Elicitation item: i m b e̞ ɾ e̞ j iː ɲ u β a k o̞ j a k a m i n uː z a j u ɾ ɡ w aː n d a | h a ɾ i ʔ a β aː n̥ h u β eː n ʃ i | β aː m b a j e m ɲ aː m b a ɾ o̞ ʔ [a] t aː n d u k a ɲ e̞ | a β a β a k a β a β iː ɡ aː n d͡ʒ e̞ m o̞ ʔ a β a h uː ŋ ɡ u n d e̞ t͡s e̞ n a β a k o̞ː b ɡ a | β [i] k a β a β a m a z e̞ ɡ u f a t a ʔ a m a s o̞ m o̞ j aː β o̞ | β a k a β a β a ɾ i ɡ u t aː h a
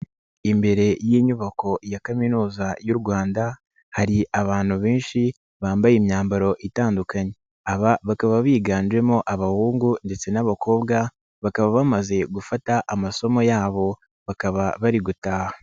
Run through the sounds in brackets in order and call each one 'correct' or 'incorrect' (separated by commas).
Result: incorrect, incorrect